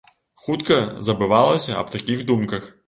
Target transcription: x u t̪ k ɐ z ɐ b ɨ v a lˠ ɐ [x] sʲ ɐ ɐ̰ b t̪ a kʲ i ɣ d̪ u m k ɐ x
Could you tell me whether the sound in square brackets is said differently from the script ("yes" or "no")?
yes